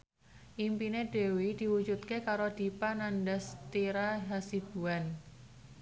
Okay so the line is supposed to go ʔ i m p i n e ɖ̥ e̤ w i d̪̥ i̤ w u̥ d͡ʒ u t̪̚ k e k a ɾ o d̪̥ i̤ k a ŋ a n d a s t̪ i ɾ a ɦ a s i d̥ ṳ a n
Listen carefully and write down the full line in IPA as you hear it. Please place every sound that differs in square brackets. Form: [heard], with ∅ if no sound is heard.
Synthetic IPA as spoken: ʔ i m p i n e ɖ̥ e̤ w i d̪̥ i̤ w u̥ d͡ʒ u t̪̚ k e k a ɾ o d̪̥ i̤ [p] a [n] a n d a s t̪ i ɾ a ɦ a s i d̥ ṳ a n